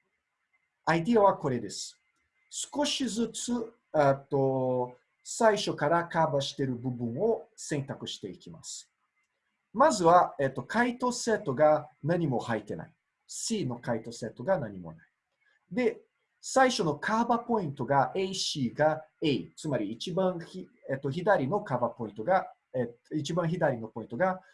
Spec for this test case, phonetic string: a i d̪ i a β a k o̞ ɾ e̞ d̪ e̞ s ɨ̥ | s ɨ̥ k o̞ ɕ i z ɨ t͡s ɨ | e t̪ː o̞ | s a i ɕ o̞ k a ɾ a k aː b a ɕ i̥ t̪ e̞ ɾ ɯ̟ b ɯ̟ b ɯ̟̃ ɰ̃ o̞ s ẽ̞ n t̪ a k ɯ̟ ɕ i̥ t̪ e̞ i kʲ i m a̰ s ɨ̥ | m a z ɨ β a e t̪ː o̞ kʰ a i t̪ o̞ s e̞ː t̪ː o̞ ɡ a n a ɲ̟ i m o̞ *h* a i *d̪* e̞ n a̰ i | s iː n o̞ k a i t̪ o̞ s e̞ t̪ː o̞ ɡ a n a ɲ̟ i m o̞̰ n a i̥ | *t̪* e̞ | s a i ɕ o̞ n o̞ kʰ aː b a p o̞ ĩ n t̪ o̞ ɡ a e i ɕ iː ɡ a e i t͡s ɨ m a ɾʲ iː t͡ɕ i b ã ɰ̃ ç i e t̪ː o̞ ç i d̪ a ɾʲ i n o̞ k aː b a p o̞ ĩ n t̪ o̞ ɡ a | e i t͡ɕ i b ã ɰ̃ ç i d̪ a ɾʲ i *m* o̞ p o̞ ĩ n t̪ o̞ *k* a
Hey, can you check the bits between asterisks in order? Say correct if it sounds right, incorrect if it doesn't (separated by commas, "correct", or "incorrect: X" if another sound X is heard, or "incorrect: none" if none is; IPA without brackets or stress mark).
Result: correct, incorrect: t̪, incorrect: d̪, incorrect: n, incorrect: ɡ